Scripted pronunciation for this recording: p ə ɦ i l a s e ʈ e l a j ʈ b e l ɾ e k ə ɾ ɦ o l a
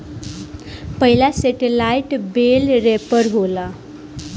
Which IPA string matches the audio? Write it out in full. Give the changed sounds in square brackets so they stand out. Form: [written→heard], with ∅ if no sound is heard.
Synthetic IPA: p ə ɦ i l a s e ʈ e l a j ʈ b e l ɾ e [k→p] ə ɾ ɦ o l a